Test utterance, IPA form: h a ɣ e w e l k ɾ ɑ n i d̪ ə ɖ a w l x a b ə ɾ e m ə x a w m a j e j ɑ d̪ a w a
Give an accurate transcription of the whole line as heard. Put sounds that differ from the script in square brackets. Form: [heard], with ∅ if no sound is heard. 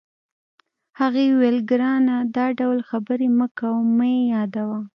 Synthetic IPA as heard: h a ɣ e w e l [ɡ] ɾ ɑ n [a] d̪ [ɑ] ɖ a w l x a b ə ɾ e m ə [k] a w m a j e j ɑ d̪ a w a